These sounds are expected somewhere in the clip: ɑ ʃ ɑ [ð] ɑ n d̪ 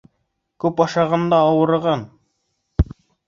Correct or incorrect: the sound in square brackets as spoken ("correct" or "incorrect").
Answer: incorrect